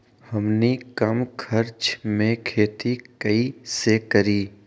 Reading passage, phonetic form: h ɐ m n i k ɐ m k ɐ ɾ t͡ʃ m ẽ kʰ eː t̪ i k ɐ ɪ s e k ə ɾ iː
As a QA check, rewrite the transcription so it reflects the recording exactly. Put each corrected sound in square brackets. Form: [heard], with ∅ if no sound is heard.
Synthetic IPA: h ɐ m n i k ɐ m [kʰ] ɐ ɾ t͡ʃ m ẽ kʰ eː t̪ i k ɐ [i] s e k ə ɾ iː